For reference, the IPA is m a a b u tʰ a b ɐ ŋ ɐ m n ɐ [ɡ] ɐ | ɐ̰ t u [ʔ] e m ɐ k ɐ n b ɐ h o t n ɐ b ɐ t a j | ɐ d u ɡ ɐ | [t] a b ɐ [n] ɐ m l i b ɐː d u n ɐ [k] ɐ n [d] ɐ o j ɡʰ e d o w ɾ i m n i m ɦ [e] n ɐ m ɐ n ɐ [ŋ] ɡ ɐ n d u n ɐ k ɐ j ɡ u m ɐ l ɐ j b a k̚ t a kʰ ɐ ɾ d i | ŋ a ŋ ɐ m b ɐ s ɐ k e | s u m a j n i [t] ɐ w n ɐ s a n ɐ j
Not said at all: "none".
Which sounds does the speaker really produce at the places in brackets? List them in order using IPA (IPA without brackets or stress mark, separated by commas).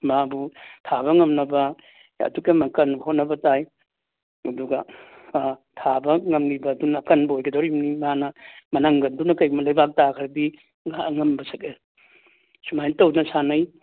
b, k, tʰ, ŋ, k, b, a, ŋ, t